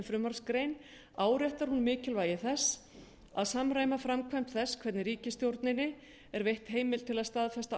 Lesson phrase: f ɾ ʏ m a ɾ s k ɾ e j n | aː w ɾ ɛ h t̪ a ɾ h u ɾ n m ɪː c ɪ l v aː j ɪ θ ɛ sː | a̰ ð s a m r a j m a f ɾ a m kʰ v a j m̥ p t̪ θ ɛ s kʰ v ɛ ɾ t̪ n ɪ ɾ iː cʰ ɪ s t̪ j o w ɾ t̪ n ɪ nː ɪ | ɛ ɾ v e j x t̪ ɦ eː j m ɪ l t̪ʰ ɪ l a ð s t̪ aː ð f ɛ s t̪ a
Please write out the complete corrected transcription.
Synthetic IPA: f ɾ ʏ m a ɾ s k ɾ e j n | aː w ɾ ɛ h t̪ a ɾ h u n m ɪː c ɪ l v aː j ɪ θ ɛ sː | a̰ ð s a m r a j m a f ɾ a m kʰ v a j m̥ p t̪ θ ɛ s kʰ v ɛ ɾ t̪ n ɪ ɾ iː c ɪ s t̪ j o w ɾ t̪ n ɪ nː ɪ | ɛ ɾ v e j h t̪ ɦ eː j m ɪ l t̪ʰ ɪ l a ð s t̪ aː ð f ɛ s t̪ a